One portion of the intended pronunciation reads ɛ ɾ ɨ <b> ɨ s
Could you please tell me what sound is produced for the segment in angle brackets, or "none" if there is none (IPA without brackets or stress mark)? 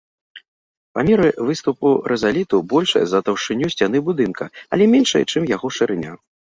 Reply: v